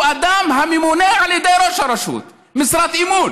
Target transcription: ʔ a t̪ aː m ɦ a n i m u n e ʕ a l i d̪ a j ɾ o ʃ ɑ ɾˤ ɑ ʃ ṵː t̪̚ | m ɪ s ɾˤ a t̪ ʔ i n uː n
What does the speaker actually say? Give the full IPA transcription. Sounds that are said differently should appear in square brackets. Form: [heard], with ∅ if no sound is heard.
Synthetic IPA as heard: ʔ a [d̪] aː m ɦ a [m] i m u n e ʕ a l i d̪ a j ɾ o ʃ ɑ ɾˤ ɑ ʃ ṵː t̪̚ | m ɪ s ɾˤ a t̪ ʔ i [m] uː n